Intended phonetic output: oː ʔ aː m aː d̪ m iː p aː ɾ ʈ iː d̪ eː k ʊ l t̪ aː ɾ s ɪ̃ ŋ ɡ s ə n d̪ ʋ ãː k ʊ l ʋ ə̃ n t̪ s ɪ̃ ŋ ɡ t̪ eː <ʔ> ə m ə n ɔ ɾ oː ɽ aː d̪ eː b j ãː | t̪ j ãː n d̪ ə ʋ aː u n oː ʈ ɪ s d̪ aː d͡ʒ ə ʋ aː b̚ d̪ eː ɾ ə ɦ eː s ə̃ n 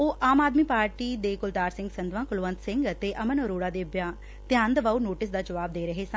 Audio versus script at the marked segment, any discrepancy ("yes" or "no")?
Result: no